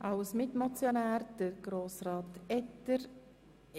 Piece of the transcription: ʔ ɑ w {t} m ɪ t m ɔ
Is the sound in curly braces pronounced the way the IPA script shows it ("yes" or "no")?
no